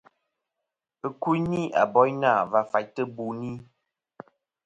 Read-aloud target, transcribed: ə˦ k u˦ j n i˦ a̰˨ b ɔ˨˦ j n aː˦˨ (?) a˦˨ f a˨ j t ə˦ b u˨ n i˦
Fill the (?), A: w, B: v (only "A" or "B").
B